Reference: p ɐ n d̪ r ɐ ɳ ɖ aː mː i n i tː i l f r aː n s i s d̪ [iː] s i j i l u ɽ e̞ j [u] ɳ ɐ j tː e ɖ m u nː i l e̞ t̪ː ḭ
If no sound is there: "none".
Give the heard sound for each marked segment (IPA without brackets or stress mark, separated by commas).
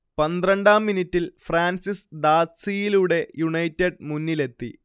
aː, u